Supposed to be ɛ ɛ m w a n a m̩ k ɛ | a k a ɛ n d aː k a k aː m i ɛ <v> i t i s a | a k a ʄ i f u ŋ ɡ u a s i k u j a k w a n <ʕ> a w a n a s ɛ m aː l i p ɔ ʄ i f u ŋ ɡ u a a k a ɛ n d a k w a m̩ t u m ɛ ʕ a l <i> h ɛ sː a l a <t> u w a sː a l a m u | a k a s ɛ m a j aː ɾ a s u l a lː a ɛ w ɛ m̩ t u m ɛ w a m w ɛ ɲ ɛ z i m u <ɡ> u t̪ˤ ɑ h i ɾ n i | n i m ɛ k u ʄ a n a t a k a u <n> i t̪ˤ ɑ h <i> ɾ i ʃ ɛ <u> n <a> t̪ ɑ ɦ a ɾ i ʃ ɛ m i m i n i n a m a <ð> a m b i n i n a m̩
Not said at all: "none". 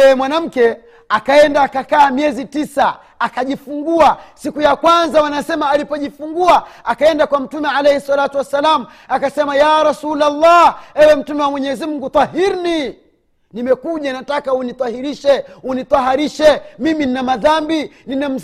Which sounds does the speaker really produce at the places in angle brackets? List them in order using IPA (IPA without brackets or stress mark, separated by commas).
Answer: z, z, ɛ, t, ɡ, n, i, u, i, ð